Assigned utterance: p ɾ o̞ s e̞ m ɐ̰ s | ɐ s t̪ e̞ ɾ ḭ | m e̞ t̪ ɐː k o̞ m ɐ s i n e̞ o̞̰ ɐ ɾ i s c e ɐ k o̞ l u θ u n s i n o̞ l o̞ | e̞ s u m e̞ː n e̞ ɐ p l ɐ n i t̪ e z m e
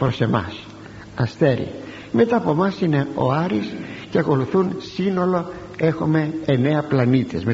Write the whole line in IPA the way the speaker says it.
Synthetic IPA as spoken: p ɾ o̞ s e̞ m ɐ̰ s | ɐ s t̪ e̞ ɾ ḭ | m e̞ t̪ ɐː p o̞ m ɐ s i n e̞ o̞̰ ɐ ɾ i s c e ɐ k o̞ l u θ u n s i n o̞ l o̞ | e̞ x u m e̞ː n e̞ ɐ p l ɐ n i t̪ e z m e